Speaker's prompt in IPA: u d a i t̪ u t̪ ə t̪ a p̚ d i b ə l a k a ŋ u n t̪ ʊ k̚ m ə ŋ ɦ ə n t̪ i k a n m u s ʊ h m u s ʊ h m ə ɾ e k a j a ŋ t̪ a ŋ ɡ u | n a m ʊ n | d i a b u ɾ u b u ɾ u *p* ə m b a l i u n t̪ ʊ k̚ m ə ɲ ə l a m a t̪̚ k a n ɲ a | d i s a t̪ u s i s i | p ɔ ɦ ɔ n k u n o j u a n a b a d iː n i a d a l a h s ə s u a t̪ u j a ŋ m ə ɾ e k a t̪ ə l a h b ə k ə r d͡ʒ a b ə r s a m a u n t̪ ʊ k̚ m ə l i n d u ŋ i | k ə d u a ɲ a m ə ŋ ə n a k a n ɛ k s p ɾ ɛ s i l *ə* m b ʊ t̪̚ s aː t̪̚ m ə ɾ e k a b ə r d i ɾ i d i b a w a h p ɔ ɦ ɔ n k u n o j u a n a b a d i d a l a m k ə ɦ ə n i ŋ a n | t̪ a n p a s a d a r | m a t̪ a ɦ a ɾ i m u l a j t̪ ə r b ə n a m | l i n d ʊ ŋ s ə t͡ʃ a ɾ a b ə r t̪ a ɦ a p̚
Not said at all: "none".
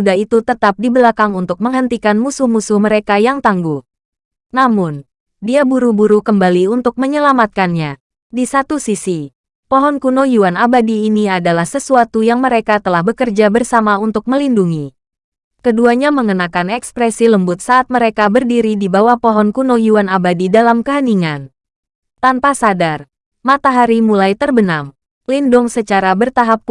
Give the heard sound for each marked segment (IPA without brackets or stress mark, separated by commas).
k, ə